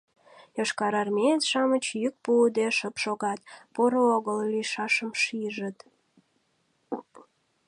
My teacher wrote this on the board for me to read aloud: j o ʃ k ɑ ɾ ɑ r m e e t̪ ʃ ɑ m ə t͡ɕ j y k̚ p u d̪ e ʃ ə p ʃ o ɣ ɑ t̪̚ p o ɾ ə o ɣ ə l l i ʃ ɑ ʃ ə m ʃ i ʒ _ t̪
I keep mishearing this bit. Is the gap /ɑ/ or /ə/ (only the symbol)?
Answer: ə